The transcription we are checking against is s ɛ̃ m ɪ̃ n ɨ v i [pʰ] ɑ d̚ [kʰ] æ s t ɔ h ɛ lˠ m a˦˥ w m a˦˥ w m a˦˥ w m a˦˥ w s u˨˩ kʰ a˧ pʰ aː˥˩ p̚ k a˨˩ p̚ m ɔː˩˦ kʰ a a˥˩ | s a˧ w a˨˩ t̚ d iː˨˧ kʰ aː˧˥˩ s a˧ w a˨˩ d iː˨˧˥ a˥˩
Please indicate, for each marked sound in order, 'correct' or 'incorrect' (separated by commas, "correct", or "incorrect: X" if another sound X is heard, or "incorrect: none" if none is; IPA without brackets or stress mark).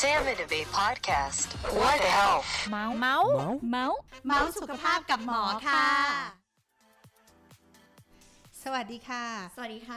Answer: correct, correct